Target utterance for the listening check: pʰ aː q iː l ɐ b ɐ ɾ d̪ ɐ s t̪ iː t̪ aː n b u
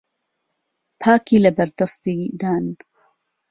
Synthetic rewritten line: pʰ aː k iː l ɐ b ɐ ɾ d̪ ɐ s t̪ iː d̪ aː n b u